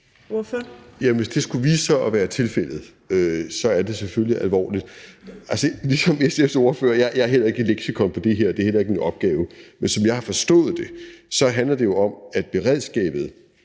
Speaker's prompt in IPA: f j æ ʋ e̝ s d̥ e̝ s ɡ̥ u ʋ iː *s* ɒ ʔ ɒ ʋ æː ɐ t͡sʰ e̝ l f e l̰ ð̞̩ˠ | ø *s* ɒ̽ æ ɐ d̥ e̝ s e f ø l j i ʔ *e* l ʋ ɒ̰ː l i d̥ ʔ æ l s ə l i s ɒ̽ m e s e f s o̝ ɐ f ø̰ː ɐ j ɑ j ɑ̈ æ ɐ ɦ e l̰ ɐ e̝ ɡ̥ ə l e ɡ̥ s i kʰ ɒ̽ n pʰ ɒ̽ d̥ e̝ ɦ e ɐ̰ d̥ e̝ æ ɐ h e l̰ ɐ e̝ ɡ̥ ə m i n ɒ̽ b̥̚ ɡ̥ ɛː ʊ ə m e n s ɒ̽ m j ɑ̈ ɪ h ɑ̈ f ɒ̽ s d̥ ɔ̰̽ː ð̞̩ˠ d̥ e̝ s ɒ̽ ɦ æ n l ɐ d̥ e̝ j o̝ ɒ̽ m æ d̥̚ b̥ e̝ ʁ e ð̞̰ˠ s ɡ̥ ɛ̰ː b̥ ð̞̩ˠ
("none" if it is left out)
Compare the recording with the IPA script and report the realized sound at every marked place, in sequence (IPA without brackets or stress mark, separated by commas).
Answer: s, s, æ